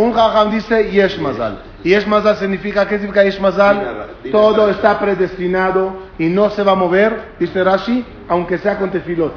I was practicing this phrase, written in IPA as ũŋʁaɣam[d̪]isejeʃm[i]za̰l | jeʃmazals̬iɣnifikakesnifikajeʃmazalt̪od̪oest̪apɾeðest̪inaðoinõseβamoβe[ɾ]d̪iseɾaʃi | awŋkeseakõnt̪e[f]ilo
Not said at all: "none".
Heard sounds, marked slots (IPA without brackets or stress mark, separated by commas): d̪, a, ɾ, f